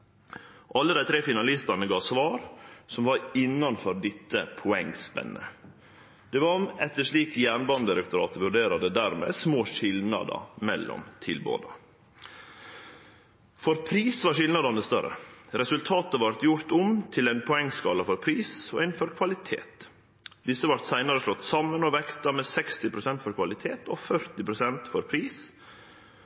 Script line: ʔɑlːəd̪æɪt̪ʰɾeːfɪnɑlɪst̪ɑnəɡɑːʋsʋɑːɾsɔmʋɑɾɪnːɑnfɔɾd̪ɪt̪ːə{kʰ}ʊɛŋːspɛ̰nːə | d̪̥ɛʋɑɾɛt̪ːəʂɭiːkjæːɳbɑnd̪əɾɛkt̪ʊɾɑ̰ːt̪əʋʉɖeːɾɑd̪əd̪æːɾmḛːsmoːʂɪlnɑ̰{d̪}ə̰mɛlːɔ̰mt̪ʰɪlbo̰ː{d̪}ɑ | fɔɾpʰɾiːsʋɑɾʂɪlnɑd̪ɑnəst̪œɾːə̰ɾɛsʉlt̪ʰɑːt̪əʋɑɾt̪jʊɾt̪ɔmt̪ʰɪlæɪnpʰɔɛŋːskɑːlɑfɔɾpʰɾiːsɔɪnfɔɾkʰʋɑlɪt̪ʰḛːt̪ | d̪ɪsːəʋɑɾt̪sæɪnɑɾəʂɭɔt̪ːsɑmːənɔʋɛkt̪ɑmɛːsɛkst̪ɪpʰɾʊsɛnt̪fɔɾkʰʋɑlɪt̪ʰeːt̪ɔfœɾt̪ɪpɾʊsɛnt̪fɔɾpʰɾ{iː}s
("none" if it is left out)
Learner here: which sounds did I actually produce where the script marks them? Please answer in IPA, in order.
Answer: pʰ, d̪, d̪, iː

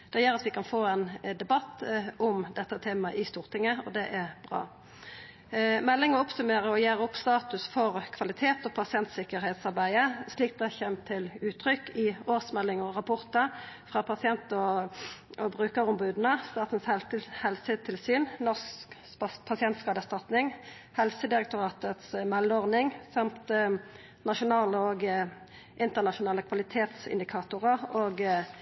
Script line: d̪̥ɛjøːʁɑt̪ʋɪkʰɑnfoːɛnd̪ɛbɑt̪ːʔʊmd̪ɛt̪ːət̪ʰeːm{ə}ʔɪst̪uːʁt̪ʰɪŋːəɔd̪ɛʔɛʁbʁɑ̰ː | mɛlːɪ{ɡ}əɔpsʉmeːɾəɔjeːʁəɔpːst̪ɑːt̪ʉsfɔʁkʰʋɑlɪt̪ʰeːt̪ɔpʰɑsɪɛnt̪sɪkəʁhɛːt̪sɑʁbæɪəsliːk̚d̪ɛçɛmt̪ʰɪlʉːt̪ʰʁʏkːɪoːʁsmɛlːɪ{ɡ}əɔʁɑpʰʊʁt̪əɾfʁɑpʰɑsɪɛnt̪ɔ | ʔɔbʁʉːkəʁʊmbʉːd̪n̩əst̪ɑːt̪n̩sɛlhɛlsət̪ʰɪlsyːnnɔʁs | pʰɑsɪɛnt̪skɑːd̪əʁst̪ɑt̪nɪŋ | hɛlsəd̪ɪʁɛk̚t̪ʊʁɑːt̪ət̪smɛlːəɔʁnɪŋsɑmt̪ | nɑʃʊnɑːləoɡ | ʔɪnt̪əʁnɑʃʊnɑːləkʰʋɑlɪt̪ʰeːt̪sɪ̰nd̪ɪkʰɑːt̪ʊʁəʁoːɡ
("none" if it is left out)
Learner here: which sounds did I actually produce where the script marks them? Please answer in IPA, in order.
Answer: ɑ, ŋ, ŋ

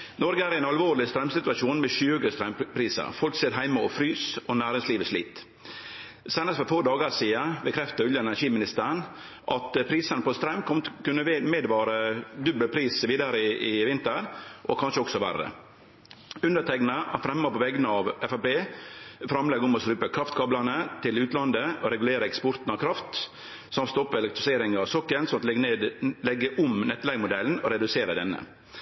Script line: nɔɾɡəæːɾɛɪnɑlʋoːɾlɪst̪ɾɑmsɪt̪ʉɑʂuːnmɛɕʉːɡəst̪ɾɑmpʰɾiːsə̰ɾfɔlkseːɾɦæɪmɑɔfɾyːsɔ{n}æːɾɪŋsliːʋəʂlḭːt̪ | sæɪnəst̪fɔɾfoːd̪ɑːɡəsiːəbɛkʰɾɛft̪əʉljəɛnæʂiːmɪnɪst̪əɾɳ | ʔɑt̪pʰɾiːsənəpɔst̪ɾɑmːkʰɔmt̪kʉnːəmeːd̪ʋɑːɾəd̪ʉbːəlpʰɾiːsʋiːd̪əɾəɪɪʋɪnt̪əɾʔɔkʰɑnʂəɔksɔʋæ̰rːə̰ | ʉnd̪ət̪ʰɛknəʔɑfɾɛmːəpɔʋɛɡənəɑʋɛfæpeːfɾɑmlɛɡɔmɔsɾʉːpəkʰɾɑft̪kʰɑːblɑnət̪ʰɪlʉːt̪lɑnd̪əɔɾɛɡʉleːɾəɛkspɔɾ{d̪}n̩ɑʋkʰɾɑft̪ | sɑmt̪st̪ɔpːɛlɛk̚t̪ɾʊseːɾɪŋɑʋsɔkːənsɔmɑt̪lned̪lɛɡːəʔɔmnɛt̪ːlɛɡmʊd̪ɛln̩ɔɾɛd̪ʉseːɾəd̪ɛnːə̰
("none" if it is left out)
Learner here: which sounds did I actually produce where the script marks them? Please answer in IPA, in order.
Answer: n, t̪

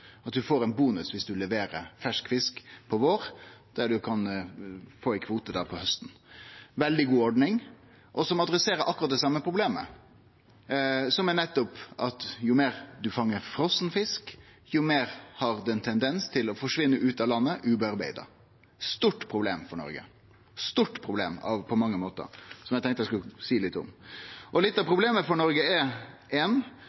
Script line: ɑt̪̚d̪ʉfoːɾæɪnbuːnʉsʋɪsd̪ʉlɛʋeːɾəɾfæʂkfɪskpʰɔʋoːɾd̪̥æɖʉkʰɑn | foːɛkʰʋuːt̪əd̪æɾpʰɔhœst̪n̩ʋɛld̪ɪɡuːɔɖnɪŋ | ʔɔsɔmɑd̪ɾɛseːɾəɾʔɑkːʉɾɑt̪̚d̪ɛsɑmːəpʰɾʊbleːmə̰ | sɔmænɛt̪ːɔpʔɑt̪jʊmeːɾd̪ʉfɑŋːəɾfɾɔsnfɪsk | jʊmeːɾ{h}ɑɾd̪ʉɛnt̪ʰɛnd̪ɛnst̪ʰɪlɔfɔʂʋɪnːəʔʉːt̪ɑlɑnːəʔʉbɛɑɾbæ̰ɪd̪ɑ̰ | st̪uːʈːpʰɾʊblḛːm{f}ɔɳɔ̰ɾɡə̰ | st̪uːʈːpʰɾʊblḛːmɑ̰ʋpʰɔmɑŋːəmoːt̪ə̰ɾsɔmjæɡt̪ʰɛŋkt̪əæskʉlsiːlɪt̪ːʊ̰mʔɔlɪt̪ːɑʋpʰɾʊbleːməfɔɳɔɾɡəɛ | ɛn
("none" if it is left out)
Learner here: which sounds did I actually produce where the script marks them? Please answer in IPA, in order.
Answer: h, f

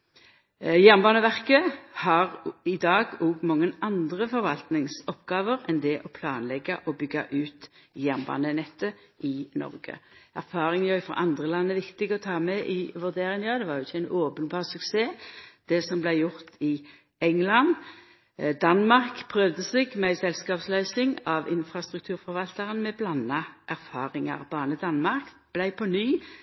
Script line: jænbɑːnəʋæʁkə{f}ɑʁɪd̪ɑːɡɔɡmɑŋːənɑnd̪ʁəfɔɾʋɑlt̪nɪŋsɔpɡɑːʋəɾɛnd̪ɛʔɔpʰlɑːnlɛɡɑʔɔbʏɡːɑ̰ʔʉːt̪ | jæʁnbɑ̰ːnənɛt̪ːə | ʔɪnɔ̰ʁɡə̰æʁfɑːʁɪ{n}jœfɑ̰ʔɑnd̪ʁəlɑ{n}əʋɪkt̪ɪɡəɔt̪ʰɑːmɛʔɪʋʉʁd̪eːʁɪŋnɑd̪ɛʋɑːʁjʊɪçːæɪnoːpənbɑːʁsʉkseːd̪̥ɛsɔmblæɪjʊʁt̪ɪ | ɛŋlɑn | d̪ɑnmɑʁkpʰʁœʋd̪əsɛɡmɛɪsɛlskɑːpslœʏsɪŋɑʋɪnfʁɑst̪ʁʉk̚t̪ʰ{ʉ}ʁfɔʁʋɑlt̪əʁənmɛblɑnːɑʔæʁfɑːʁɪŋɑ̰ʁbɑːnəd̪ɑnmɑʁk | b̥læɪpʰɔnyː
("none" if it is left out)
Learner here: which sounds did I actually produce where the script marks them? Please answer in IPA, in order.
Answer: h, ŋ, nː, ʉː

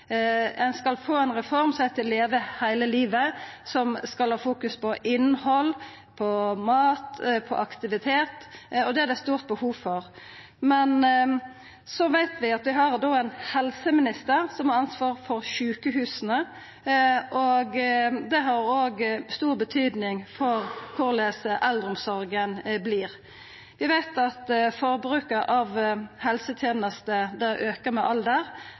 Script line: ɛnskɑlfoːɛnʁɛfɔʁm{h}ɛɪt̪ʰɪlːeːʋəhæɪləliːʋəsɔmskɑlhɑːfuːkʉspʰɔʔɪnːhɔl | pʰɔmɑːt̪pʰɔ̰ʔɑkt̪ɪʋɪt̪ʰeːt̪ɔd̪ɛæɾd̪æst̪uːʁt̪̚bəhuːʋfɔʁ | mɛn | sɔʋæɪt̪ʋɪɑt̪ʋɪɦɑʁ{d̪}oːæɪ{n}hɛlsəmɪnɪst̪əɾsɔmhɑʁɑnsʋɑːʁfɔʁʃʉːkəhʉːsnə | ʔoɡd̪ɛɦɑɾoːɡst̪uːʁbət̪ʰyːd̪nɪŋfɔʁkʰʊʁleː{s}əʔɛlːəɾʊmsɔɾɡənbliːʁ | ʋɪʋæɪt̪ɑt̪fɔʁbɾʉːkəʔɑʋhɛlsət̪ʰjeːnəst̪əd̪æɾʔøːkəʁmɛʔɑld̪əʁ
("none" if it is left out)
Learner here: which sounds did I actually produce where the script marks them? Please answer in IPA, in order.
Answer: s, d̪, n, s

